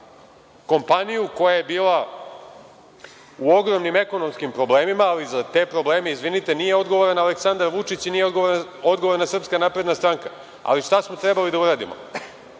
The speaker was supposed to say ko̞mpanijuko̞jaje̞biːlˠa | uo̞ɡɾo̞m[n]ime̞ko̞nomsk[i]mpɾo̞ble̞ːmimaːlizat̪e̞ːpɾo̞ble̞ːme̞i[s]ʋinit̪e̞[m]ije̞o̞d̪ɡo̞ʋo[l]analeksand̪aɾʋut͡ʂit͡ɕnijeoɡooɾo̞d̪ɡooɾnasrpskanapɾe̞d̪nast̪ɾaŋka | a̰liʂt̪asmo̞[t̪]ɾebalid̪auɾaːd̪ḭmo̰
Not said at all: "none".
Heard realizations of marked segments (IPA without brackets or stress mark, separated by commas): n, i, z, n, ɾ, t̪